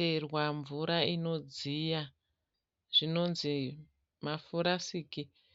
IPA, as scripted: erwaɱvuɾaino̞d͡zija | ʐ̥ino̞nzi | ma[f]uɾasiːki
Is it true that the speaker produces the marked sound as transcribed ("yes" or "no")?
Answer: yes